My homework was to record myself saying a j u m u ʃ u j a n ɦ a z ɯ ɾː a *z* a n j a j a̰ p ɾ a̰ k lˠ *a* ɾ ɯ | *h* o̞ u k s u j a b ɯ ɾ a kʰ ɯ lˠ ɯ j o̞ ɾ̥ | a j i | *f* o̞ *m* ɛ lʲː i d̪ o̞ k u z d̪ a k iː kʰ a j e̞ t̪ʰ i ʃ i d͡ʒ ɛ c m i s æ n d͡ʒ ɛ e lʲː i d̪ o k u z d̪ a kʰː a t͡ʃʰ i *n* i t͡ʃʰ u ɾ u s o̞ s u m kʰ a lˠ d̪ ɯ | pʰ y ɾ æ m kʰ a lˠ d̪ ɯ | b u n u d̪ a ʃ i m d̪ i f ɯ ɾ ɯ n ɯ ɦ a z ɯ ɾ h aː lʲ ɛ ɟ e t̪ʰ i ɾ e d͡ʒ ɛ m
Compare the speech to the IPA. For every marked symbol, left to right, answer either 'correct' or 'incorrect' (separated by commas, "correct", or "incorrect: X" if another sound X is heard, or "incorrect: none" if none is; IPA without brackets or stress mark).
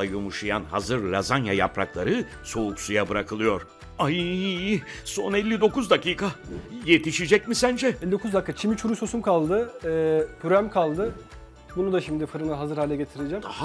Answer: correct, correct, incorrect: s, incorrect: s, incorrect: n, incorrect: m